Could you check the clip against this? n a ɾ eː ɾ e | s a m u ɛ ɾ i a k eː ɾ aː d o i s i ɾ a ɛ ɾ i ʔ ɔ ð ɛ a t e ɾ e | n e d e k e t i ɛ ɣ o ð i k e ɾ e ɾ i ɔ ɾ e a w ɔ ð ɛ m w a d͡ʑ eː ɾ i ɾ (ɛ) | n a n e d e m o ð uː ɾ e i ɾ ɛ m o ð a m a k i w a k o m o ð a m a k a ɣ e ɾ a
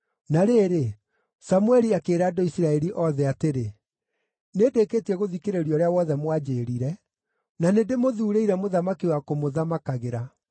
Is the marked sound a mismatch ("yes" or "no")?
no